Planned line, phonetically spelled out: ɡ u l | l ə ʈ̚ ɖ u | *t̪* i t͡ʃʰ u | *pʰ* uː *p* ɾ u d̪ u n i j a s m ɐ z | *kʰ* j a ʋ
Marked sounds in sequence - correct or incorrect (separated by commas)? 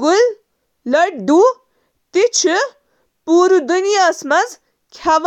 correct, incorrect, incorrect, correct